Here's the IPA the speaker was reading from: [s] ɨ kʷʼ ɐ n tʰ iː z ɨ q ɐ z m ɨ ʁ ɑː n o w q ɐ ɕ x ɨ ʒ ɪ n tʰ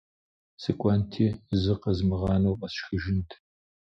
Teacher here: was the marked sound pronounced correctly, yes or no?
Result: yes